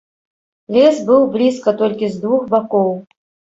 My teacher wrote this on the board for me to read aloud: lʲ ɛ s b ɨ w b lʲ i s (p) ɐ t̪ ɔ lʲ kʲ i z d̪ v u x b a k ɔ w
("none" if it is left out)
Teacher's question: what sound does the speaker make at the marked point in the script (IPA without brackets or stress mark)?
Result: k